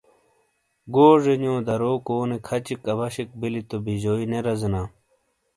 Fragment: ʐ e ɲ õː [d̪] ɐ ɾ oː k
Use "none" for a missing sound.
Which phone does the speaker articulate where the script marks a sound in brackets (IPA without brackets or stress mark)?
d̪